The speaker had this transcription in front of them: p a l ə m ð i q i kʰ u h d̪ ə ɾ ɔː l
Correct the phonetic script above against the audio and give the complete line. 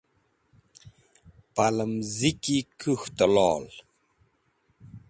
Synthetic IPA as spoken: p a l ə m z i k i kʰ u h t̪ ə l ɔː l